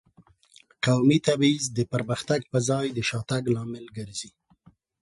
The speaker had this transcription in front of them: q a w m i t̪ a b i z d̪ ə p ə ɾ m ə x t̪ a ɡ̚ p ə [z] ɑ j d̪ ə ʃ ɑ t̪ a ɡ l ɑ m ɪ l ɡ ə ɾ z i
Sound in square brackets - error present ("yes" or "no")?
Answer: no